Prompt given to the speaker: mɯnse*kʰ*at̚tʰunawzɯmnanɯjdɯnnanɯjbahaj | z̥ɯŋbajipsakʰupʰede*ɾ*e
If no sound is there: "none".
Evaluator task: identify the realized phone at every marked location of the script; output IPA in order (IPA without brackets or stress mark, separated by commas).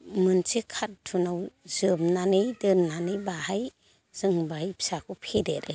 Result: kʰ, ɾ